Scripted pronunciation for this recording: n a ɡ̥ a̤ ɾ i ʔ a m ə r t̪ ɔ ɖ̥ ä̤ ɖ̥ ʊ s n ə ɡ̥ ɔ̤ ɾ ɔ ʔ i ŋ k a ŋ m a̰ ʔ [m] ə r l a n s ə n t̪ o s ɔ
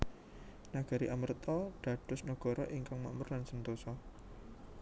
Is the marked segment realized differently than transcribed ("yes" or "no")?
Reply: no